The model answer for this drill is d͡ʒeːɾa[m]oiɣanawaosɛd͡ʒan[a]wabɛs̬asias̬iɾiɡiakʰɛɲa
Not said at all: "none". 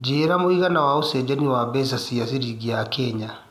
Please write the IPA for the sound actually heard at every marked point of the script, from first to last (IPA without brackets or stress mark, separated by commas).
m, i